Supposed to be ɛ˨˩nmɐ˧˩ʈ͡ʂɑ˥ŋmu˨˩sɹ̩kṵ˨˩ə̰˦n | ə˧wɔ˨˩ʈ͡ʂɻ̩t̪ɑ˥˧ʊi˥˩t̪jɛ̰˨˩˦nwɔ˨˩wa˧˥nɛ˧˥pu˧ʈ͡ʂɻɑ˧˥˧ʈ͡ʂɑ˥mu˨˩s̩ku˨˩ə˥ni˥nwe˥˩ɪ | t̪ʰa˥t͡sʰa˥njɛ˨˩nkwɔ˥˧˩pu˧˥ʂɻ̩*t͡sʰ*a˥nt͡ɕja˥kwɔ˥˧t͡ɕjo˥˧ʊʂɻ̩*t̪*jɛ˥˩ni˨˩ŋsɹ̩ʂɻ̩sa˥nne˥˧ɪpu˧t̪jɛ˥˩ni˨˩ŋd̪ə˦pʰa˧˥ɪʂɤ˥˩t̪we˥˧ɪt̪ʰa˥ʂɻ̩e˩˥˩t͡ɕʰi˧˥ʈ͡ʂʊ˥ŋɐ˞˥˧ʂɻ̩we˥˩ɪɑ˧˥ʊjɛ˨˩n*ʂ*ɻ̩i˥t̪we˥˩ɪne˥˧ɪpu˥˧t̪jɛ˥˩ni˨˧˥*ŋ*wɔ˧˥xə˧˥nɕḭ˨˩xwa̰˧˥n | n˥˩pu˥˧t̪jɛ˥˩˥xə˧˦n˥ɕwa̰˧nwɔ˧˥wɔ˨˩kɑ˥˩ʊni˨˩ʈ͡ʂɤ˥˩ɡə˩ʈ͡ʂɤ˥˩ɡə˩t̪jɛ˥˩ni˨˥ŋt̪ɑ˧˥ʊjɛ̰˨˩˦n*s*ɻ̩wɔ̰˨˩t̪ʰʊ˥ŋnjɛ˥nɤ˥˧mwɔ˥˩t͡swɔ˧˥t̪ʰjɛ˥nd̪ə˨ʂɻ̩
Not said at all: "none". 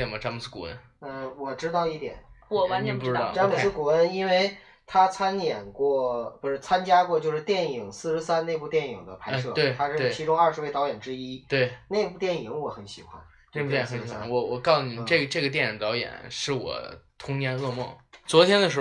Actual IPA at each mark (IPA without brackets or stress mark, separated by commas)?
t͡sʰ, t̪, ʈ͡ʂ, ŋ, ʂ